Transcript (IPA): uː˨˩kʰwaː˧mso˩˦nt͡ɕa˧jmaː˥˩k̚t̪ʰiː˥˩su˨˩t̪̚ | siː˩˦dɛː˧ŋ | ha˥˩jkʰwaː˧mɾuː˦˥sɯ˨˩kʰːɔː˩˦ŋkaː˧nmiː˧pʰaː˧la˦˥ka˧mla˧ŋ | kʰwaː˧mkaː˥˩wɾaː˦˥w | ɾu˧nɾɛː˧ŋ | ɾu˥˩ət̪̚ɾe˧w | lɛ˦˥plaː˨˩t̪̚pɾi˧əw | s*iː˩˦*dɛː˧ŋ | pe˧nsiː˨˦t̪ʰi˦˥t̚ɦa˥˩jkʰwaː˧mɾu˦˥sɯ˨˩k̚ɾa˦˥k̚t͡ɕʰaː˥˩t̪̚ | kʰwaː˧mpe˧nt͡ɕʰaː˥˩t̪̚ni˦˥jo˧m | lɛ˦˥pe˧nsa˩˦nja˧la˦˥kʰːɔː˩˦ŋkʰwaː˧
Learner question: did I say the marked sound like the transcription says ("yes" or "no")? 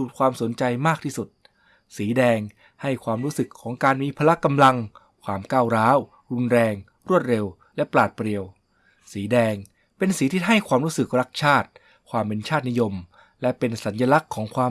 yes